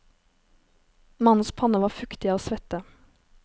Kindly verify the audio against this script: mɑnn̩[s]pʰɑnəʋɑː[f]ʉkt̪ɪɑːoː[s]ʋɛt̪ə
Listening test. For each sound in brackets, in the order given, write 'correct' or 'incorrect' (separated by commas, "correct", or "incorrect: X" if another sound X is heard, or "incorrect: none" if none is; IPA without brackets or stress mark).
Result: correct, correct, correct